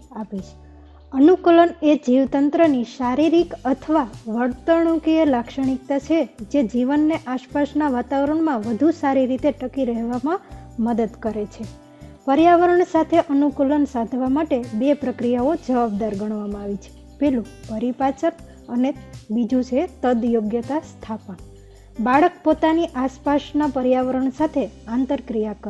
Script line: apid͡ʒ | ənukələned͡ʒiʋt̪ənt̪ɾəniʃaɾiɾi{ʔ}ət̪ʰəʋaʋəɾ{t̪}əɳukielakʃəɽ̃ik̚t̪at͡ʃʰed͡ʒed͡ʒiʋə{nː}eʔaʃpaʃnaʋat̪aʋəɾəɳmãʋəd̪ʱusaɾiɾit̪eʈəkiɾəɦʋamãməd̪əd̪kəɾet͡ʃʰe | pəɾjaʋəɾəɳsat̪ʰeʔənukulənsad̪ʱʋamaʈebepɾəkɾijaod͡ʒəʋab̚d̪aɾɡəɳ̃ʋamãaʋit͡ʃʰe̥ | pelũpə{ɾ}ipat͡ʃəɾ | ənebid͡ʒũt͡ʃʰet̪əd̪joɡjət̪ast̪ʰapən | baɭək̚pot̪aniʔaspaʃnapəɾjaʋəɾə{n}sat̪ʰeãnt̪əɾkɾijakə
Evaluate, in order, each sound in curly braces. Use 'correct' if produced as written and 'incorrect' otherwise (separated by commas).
incorrect, correct, correct, correct, incorrect